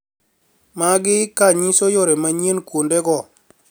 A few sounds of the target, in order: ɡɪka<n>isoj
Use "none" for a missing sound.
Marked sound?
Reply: ɲ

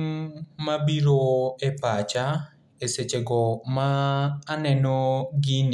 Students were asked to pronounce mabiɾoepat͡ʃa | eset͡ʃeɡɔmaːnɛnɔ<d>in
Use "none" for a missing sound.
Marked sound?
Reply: ɡ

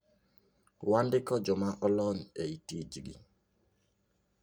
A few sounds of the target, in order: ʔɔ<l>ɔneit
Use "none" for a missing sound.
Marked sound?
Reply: l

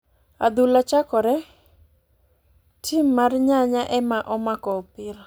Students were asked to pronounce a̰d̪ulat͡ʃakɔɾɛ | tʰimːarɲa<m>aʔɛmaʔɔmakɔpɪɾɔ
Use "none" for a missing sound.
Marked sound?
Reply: ɲ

